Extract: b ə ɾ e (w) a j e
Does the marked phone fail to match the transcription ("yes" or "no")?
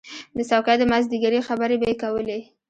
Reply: yes